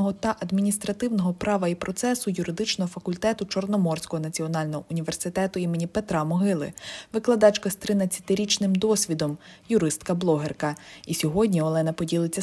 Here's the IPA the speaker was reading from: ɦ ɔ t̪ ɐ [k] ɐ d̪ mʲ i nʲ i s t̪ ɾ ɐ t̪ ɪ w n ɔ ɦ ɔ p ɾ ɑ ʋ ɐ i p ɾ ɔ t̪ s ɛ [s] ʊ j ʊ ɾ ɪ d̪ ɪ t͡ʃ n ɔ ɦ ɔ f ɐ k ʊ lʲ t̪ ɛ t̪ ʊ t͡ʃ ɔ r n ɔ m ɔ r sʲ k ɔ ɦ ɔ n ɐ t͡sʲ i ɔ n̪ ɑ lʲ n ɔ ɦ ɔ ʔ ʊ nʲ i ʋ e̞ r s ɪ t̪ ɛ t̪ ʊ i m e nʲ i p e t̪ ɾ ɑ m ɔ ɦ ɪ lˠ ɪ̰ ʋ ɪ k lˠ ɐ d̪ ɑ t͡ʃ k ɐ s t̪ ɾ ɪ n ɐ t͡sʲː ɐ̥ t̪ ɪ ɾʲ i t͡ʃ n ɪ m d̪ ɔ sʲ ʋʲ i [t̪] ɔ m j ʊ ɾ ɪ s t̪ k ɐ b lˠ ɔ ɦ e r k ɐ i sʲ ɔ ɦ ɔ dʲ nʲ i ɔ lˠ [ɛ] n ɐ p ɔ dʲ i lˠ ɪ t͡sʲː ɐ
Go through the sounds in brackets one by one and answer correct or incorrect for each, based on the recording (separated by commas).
incorrect, correct, incorrect, correct